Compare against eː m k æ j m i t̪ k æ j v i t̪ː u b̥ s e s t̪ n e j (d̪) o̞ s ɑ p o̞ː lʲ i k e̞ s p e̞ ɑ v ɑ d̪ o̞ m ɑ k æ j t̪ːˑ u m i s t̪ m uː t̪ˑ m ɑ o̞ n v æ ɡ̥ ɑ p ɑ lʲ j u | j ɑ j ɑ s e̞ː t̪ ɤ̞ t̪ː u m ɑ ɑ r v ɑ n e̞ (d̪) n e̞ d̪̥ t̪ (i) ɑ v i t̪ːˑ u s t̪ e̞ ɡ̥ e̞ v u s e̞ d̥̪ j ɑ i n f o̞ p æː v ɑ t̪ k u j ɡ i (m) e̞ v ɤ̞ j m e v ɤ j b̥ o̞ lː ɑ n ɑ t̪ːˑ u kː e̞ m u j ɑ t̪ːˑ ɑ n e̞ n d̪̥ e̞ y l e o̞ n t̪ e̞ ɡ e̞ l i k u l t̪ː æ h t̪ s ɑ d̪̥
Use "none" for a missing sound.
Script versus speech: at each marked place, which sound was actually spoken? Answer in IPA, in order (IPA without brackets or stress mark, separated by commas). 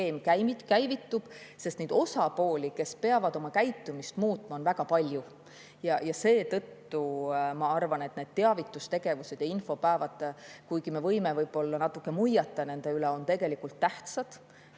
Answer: d̪, t̪, e, m